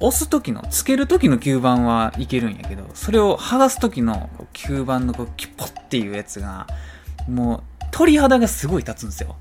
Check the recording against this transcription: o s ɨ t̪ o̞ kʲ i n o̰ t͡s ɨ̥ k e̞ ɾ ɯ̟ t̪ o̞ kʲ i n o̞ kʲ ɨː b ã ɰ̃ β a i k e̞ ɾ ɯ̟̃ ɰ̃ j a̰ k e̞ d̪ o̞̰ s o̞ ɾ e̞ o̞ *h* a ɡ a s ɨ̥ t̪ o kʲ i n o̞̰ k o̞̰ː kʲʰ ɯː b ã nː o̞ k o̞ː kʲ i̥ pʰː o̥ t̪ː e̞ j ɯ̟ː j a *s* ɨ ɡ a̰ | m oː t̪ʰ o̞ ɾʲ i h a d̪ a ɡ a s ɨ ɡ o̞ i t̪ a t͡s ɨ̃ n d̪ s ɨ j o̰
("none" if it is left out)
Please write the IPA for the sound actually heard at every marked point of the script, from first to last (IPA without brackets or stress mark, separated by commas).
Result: h, t͡s